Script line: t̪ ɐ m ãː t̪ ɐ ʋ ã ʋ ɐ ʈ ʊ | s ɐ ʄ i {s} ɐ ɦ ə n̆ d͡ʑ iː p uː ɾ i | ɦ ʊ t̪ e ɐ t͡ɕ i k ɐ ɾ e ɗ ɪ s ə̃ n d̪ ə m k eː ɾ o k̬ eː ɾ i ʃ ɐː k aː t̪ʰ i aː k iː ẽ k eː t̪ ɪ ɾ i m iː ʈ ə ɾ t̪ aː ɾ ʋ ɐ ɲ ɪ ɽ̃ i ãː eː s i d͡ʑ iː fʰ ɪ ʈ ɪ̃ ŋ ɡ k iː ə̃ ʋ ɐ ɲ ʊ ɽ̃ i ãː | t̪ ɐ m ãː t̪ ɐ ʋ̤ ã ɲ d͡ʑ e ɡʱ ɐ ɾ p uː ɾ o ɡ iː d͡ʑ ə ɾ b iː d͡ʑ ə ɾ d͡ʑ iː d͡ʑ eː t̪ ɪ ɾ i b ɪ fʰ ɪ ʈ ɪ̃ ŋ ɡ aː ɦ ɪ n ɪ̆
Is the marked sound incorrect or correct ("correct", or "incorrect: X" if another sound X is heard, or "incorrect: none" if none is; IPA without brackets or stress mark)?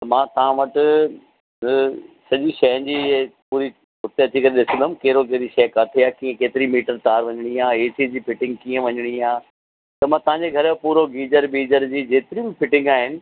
incorrect: ʃ